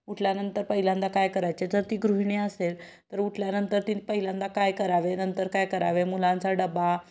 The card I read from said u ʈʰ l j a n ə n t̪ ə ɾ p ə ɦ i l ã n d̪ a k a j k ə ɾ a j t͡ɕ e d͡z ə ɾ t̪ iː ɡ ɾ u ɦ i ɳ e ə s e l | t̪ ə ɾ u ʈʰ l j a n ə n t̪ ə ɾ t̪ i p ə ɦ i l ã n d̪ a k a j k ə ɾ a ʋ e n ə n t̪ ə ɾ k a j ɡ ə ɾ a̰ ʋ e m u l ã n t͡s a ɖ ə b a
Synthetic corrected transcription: u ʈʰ l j a n ə n t̪ ə ɾ p ə ɦ i l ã n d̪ a k a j k ə ɾ a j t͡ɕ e d͡z ə ɾ t̪ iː ɡ ɾ u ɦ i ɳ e ə s e l | t̪ ə ɾ u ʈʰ l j a n ə n t̪ ə ɾ t̪ i p ə ɦ i l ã n d̪ a k a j k ə ɾ a ʋ e n ə n t̪ ə ɾ k a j k ə ɾ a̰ ʋ e m u l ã n t͡s a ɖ ə b a

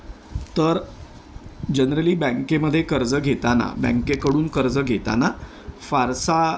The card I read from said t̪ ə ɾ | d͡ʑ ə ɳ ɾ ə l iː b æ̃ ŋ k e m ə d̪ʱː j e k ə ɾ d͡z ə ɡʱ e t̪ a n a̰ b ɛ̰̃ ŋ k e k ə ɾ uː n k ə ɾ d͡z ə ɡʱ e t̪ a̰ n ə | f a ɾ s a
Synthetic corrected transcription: t̪ ə ɾ | d͡ʑ ə n ɾ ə l iː b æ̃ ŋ k e m ə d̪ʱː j e k ə ɾ d͡z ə ɡʱ e t̪ a n a̰ b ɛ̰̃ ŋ k e k ə ɽ uː n k ə ɾ d͡z ə ɡʱ e t̪ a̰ n a | f a ɾ s a

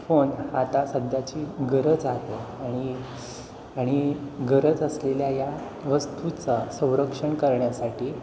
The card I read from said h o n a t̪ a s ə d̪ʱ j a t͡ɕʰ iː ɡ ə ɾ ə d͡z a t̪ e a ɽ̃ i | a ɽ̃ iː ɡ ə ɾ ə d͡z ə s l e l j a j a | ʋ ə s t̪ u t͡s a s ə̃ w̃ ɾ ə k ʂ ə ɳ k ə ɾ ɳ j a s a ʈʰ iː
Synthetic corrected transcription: f o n a t̪ a s ə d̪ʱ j a t͡ɕ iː ɡ ə ɾ ə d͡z a t̪ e a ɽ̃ i | a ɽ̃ i ɡ ə ɾ ə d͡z ə s l e l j a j a | ʋ ə s t̪ u t͡s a s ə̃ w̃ ɾ ə k ʂ ə ɳ k ə ɾ ɳ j a s a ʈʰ iː

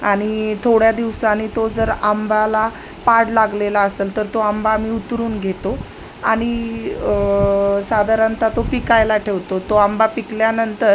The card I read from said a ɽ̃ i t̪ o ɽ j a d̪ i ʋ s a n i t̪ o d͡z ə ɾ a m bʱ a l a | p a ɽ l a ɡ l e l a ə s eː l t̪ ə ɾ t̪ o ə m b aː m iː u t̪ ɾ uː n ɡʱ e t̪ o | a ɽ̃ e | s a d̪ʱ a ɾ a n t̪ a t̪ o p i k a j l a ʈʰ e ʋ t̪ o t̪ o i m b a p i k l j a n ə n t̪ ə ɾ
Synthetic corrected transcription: a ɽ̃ i t̪ʰ o ɽ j a d̪ i ʋ s a n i t̪ o d͡z ə ɾ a m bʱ a l a | p a ɽ l a ɡ l e l a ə s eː l t̪ ə ɾ t̪ o a m b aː m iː u t̪ ɾ uː n ɡʱ e t̪ o | a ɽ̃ i | s a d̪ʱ a ɾ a n t̪ a t̪ o p i k a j l a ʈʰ e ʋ t̪ o t̪ o a m b a p i k l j a n ə n t̪ ə ɾ

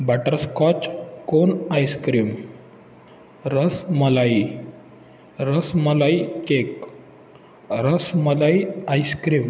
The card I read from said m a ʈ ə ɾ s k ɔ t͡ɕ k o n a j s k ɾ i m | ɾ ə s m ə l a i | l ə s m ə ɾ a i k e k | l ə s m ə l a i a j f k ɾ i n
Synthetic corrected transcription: b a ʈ ə ɾ s k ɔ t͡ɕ k o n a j s k ɾ i m | ɾ ə s m ə l a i | ɾ ə s m ə l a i k e k | ɾ ə s m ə l a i a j s k ɾ i m

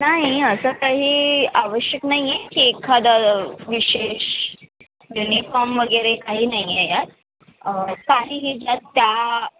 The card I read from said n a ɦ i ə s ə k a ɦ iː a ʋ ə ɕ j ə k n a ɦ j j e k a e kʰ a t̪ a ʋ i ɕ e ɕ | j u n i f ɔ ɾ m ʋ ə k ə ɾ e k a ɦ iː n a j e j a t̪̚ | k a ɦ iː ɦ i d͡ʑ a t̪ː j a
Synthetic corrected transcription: n a ɦ i ə s ə k a ɦ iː a ʋ ə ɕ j ə k n a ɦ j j e k i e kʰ a d̪ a ʋ i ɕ e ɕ | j u n i f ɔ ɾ m ʋ ə ɡ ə ɾ e k a ɦ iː n a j e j a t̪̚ | k a ɦ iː ɦ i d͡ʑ a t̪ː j a

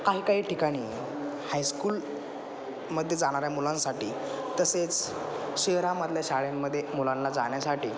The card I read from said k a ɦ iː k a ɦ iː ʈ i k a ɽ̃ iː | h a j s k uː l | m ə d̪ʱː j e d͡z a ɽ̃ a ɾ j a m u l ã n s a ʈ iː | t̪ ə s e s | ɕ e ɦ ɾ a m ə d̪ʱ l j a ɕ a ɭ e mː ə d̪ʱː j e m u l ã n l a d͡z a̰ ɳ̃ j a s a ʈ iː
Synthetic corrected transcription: k a ɦ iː k a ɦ iː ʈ i k a ɽ̃ iː | h a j s k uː l | m ə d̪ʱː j e d͡z a ɽ̃ a ɾ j a m u l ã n s a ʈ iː | t̪ ə s e t͡s | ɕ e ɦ ɾ a m ə d̪ʱ l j a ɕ a ɭ e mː ə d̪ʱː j e m u l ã n l a d͡z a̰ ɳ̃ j a s a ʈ iː

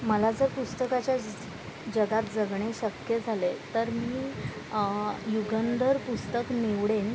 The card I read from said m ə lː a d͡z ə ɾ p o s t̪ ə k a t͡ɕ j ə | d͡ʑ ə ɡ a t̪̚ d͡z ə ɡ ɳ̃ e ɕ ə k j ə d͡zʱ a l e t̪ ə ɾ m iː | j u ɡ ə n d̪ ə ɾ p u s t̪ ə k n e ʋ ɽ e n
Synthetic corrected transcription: m ə l a d͡z ə ɾ p u s t̪ ə k a t͡ɕ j a | d͡ʑ ə ɡ a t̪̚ d͡z ə ɡ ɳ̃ e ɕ ə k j ə d͡zʱ a l e t̪ ə ɾ m iː | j u ɡ ə n d̪ ə ɾ p u s t̪ ə k n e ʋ ɽ e n

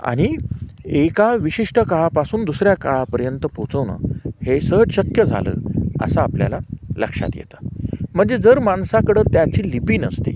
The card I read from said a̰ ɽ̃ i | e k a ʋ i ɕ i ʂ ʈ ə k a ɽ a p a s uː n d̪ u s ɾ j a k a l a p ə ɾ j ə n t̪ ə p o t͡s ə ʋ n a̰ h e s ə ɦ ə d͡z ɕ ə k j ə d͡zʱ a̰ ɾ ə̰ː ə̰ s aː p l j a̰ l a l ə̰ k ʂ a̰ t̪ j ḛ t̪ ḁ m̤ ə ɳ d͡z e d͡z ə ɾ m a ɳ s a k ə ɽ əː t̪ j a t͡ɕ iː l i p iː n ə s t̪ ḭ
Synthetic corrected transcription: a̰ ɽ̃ i | e k a ʋ i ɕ i ʂ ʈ ə k a ɭ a p a s uː n d̪ u s ɾ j a k a ɭ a p ə ɾ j ə n t̪ ə p o t͡s ə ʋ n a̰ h e s ə ɦ ə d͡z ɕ ə k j ə d͡zʱ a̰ l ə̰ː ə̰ s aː p l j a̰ l a l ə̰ k ʂ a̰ t̪ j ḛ t̪ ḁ m̤ ə ɳ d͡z e d͡z ə ɾ m a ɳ s a k ə ɽ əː t̪ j a t͡ɕ iː l i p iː n ə s t̪ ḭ

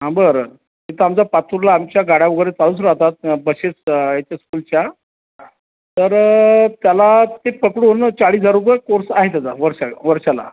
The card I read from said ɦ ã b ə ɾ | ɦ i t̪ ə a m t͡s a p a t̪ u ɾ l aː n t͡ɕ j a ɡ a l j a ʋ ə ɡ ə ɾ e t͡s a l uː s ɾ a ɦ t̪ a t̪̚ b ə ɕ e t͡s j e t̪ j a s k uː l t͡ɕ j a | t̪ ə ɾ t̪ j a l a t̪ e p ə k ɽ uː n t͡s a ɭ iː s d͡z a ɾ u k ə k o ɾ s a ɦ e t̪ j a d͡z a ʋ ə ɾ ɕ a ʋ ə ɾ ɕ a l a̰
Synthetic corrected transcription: ɦ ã b ə ɾ | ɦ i t̪ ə a m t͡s a p a t̪ u ɾ l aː m t͡ɕ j a ɡ a ɽ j a ʋ ə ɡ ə ɾ e t͡s a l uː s ɾ a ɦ t̪ a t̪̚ b ə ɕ e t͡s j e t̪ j a s k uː l t͡ɕ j a | t̪ ə ɾ t̪ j a l a t̪ e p ə k ɽ uː n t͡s a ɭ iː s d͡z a ɾ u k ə k o ɾ s a ɦ e t̪ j a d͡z a ʋ ə ɾ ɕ a ʋ ə ɾ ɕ a l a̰

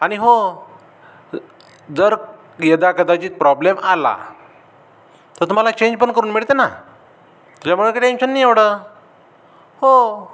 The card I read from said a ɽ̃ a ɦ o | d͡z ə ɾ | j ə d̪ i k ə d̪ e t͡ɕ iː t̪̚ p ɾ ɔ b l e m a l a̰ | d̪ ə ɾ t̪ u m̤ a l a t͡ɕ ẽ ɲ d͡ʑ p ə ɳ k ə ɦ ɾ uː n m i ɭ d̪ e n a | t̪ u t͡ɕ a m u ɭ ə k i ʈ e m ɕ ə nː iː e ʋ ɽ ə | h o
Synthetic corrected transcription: a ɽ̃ i ɦ o | d͡z ə ɾ | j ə d̪ a k ə d̪ a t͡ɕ iː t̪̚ p ɾ ɔ b l e m a l a̰ | t̪ ə ɾ t̪ u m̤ a l a t͡ɕ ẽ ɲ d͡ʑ p ə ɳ k ə ɾ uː n m i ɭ t̪ e n a | t̪ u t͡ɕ a m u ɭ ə k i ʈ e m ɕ ə nː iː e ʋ ɽ ə | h o

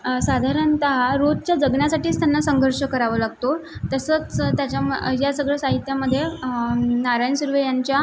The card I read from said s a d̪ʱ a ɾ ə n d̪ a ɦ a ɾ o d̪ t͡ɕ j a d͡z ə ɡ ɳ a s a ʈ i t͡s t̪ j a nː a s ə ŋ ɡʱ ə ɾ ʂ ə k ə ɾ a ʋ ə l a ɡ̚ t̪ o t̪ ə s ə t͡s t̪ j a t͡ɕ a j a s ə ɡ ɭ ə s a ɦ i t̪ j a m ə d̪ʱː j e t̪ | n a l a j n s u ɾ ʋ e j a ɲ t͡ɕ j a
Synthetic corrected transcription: s a d̪ʱ a ɾ ə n t̪ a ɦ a ɾ o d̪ t͡ɕ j a d͡z ə ɡ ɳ a s a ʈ iː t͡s t̪ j a nː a s ə ŋ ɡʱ ə ɾ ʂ ə k ə ɾ a ʋ ə l a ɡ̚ t̪ o t̪ ə s ə t͡s t̪ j a t͡ɕ a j a s ə ɡ ɭ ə s a ɦ i t̪ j a m ə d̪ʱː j e | n a ɾ a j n s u ɾ ʋ e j a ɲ t͡ɕ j a

